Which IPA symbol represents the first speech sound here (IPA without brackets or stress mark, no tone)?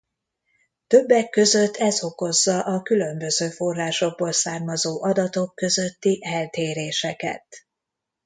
t̪